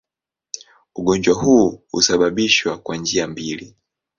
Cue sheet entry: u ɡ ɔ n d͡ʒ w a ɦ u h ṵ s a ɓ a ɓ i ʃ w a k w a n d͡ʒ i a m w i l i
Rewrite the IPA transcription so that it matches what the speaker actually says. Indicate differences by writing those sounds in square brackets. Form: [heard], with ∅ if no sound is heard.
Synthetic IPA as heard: u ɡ ɔ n d͡ʒ w a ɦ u h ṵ s a ɓ a ɓ i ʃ w a k w a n d͡ʒ i a m [b] i l i